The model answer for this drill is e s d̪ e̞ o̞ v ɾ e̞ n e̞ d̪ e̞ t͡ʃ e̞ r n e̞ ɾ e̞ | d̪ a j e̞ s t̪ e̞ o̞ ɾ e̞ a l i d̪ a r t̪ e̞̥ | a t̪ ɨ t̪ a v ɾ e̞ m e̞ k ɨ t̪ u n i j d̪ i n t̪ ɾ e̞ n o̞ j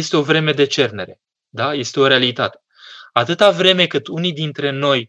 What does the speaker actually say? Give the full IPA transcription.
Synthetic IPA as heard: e s t̪ e̞ o̞ v ɾ e̞ m e̞ d̪ e̞ t͡ʃ e̞ r n e̞ ɾ e̞ | d̪ a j e̞ s t̪ e̞ o̞ ɾ e̞ a l i t̪ a t̪ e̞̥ | a t̪ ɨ t̪ a v ɾ e̞ m e̞ k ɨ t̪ u n i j d̪ i n t̪ ɾ e̞ n o̞ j